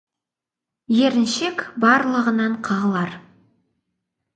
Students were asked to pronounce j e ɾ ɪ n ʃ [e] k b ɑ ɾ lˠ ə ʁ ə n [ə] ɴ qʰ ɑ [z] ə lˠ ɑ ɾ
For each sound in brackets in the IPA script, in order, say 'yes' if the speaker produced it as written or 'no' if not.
yes, no, no

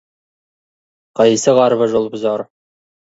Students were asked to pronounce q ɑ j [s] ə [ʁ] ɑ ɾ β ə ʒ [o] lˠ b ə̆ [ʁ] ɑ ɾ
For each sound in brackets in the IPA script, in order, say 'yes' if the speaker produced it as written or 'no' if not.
yes, yes, yes, no

